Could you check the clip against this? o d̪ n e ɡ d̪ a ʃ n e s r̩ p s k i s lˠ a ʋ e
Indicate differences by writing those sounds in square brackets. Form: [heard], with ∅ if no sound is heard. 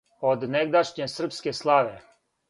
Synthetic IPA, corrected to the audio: o d̪ n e ɡ d̪ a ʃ [ɲ] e s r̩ p s k [e] s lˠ a ʋ e